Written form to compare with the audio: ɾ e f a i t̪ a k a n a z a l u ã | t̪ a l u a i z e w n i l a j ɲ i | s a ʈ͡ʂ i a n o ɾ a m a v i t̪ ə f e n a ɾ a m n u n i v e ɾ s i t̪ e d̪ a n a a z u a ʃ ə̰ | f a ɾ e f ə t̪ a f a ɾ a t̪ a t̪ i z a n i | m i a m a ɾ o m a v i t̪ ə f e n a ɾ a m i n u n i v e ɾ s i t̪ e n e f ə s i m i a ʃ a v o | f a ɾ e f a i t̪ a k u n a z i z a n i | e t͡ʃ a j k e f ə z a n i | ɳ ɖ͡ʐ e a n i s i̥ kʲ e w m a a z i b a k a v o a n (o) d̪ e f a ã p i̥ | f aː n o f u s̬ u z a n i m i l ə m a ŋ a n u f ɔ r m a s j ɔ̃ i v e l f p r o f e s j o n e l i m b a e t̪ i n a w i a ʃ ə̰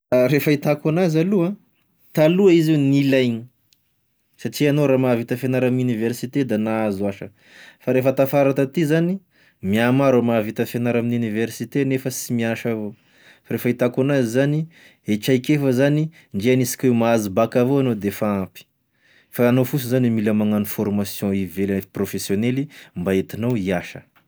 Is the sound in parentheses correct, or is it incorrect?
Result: correct